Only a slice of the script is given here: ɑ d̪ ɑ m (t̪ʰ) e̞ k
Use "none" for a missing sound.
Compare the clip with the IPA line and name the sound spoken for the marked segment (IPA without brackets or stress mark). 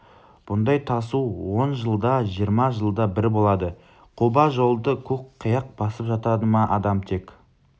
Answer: t̪ʰ